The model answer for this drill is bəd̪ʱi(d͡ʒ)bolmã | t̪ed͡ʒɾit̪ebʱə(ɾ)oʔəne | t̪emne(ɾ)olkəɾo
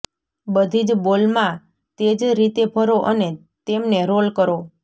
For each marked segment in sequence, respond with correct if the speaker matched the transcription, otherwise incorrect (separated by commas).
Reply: correct, correct, correct